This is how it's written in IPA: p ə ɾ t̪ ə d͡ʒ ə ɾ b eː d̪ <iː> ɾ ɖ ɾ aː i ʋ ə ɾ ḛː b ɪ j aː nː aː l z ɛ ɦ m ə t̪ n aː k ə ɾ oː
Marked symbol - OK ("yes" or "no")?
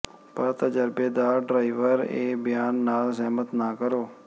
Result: no